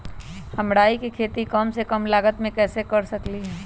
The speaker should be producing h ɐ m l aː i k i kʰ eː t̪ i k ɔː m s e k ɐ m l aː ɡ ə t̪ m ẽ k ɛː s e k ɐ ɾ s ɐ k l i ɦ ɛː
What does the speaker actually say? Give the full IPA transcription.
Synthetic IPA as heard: h ɐ m ɽ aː i k i kʰ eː t̪ i k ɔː m s e k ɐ m l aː ɡ ə t̪ m ẽ k ɛː s e k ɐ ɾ s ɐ k l i ɦ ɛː